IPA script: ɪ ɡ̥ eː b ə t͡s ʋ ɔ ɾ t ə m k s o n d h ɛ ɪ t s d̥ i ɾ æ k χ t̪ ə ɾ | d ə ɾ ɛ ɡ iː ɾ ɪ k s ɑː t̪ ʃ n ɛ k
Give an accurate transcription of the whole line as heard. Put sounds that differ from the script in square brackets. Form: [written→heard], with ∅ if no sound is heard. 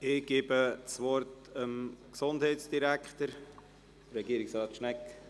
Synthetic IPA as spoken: ɪ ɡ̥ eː b ə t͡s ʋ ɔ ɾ t ə m k s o n d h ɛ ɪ t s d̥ i ɾ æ k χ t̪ ə ɾ | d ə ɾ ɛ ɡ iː ɾ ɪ k s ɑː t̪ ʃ n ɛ k